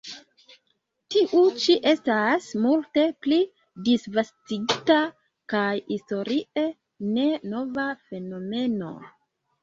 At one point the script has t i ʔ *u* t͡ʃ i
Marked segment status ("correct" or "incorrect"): correct